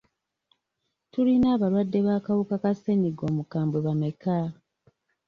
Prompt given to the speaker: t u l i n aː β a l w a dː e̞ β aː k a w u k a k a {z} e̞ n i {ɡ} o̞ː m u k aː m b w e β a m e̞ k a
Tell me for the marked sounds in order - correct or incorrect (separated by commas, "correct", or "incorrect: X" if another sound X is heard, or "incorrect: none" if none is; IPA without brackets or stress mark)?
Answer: incorrect: s, correct